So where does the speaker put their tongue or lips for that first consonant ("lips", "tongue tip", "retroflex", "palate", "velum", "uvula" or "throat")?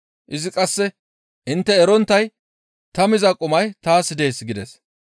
throat